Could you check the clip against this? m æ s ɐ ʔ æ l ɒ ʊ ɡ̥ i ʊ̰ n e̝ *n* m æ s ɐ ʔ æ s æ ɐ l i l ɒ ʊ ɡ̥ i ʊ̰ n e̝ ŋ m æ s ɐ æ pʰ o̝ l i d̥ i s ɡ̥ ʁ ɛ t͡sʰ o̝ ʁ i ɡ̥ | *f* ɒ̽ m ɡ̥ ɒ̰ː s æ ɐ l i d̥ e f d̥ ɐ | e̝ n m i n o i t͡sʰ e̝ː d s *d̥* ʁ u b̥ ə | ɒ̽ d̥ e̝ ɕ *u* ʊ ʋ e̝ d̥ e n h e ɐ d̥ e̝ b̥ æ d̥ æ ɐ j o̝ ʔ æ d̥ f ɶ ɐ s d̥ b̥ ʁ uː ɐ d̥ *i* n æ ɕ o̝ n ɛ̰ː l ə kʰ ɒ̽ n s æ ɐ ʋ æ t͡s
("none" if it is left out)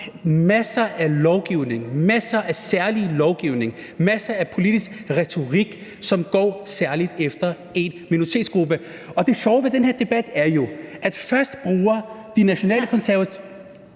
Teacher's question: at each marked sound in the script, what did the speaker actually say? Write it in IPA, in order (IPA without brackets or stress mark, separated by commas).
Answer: ŋ, s, ɡ̥, ɒ, i